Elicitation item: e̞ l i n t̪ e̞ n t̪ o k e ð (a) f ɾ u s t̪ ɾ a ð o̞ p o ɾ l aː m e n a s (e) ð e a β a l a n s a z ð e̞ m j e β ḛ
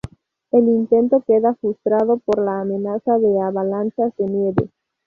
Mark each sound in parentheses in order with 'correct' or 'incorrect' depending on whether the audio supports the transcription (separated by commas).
correct, incorrect